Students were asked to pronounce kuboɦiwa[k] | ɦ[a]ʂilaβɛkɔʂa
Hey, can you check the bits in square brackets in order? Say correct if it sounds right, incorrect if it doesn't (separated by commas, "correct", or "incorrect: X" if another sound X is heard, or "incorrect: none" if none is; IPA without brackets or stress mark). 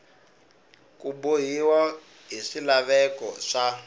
incorrect: none, incorrect: i